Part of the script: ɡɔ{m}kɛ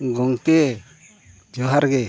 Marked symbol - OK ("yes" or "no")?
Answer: no